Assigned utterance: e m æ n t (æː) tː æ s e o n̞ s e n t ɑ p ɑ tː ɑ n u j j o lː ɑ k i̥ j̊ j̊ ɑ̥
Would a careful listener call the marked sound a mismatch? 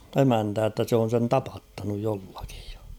no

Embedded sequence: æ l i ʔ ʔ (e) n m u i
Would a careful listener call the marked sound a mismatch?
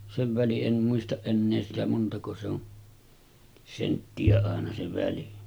no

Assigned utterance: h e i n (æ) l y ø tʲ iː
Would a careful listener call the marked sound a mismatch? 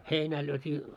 yes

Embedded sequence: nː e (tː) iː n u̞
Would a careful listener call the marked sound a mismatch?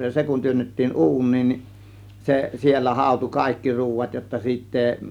no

